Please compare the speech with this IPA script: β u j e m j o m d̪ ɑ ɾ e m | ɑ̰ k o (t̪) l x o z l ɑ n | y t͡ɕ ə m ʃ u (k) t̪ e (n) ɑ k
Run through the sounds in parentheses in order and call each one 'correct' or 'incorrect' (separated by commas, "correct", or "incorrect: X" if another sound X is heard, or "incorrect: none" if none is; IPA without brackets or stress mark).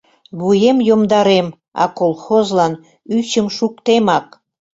incorrect: none, correct, incorrect: m